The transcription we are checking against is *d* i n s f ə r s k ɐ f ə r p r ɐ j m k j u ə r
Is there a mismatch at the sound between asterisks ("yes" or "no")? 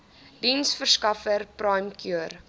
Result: no